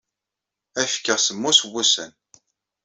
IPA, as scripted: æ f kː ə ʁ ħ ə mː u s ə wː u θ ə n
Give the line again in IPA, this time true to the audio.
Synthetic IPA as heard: æ f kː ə ʁ s ə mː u s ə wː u s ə n